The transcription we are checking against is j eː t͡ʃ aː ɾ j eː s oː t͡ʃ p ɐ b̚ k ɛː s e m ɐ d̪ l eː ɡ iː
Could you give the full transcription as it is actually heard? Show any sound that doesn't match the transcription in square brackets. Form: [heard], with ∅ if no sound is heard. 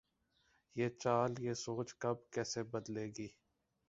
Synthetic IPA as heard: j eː t͡ʃ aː [l] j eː s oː t͡ʃ [k] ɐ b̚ k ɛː s e [b] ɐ d̪ l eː ɡ iː